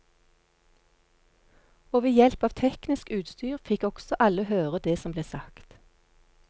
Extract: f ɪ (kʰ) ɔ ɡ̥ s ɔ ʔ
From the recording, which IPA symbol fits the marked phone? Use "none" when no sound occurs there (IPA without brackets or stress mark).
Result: k